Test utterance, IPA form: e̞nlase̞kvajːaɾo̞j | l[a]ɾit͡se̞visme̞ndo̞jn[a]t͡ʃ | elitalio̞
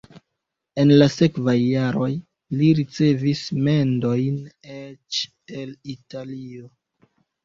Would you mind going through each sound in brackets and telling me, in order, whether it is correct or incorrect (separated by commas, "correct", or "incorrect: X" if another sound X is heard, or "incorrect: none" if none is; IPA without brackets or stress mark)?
incorrect: i, incorrect: e